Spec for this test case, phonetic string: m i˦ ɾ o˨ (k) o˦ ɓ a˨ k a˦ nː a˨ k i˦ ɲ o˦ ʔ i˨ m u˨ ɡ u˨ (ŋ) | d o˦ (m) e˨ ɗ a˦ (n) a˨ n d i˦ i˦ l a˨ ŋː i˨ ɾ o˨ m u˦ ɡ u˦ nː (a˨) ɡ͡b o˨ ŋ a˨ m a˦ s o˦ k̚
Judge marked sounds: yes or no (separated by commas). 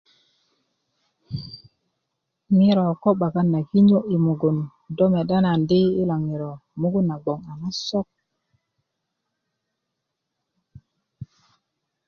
yes, no, yes, yes, yes